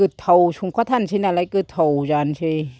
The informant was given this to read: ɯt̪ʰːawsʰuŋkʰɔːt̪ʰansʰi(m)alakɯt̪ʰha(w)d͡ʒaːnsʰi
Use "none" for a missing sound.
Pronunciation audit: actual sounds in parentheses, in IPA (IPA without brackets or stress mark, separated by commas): n, w